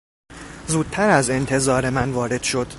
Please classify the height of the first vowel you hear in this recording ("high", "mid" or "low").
high